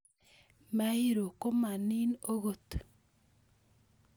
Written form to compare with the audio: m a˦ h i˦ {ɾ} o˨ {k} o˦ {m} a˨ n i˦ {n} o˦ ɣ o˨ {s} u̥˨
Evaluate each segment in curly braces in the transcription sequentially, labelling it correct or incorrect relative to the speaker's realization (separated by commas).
correct, correct, correct, correct, incorrect